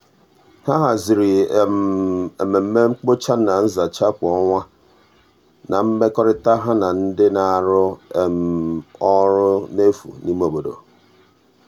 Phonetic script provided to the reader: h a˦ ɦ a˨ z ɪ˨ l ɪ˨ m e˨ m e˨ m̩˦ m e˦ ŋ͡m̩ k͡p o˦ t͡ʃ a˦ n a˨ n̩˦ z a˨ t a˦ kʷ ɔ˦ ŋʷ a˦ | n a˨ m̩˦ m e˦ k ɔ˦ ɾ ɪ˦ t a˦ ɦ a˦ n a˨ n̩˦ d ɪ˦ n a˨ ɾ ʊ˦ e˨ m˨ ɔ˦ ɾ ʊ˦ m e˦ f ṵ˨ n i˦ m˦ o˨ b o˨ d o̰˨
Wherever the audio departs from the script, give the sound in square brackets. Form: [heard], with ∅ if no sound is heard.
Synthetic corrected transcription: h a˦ ɦ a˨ z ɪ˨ [ɾ] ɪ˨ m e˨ m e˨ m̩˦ m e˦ ŋ͡m̩ k͡p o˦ t͡ʃ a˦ n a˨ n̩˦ z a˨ [t͡ʃ] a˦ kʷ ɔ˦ ŋʷ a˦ | n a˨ m̩˦ m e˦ k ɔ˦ ɾ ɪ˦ t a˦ ɦ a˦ n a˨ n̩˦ d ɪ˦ n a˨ ɾ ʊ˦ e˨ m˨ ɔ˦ ɾ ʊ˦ [n] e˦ f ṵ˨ n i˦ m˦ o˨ b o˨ d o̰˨